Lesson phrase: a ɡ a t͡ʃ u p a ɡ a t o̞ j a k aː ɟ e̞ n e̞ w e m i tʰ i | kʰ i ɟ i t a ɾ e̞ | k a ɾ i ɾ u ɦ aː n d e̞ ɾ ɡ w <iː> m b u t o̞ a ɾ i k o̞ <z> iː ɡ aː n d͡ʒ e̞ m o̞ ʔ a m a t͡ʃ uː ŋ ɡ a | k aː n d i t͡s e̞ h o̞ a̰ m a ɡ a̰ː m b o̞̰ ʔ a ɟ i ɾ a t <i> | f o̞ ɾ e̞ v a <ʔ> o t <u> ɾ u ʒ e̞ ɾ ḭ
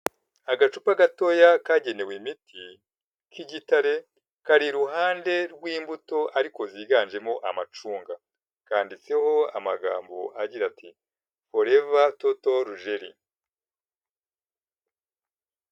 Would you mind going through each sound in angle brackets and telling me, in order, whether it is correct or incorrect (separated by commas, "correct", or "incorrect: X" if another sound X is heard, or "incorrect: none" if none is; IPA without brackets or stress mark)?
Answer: correct, correct, correct, incorrect: t, incorrect: o